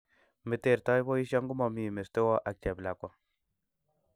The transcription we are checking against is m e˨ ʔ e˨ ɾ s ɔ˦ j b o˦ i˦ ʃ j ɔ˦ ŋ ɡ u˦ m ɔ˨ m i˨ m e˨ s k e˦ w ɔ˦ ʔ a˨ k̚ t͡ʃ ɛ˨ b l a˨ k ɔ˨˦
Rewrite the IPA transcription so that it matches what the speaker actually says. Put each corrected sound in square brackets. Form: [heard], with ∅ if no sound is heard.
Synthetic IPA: m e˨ [t] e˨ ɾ [t] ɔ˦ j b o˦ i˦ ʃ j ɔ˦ ŋ ɡ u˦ m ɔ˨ m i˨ m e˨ s [t] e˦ w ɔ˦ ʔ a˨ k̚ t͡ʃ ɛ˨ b l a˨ k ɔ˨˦